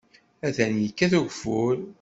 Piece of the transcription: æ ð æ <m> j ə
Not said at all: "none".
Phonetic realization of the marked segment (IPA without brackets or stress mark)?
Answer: n